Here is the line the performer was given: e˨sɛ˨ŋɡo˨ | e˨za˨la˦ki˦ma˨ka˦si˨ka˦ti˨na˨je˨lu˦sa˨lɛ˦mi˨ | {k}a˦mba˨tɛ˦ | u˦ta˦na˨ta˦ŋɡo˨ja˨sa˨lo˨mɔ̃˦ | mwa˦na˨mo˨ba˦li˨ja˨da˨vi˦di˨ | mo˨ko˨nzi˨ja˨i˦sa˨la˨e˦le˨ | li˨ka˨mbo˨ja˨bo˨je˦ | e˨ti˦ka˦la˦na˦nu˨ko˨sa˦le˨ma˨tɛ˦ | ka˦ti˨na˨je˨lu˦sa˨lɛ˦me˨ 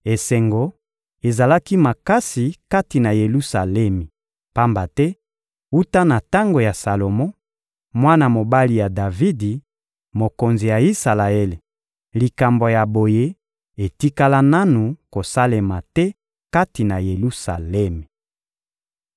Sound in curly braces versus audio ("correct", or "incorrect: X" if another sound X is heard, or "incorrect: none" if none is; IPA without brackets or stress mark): incorrect: p